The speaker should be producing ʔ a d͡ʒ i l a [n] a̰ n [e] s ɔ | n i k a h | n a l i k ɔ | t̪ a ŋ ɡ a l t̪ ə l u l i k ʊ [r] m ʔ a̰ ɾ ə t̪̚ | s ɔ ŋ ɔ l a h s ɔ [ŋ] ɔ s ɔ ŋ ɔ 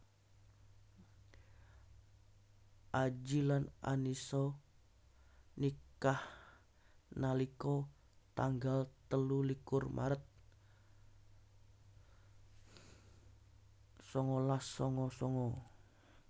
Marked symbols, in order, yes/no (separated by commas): yes, no, yes, yes